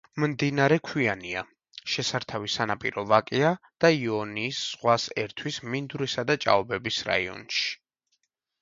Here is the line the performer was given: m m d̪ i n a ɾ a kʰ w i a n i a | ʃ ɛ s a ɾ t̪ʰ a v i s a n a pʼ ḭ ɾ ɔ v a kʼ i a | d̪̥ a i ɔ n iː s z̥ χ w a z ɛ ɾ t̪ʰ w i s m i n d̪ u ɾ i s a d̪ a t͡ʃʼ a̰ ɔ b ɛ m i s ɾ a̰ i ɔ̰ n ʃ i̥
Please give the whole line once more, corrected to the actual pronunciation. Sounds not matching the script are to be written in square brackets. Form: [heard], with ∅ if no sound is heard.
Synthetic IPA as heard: m m d̪ i n a ɾ [ɛ] kʰ w i a n i a | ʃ ɛ s a ɾ t̪ʰ a v i s a n a pʼ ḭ ɾ ɔ v a kʼ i a | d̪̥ a i ɔ n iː s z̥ [ʁ] w a [s] ɛ ɾ t̪ʰ w i s m i n d̪ u ɾ i s a d̪ a t͡ʃʼ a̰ ɔ b ɛ [b] i s ɾ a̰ i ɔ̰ n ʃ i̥